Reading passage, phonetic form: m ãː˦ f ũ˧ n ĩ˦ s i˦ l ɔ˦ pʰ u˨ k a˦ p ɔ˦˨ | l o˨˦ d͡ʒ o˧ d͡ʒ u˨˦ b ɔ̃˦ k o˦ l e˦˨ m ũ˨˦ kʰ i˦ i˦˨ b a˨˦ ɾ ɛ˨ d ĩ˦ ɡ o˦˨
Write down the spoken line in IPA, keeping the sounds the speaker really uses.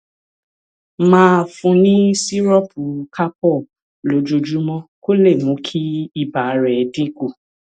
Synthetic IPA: m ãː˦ f ũ˧ n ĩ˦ s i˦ ɾ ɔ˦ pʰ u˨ k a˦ p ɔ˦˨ | l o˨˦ d͡ʒ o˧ d͡ʒ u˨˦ m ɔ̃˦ k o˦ l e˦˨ m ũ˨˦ kʰ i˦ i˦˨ b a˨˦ ɾ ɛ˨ d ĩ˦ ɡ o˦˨